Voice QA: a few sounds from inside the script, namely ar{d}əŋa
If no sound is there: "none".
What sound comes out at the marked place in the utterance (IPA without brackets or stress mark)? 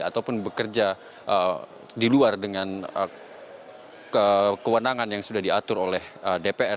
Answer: d